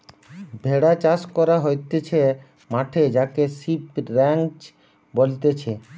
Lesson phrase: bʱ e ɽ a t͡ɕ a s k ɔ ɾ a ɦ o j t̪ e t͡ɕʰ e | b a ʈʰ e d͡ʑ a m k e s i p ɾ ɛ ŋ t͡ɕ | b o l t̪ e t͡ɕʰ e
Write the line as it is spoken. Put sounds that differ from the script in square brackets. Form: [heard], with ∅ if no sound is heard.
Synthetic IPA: bʱ e ɽ a t͡ɕ a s k ɔ ɾ a ɦ o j t̪ e t͡ɕʰ e | [m] a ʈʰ e d͡ʑ a [∅] k e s i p ɾ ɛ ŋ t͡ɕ | b o l t̪ e t͡ɕʰ e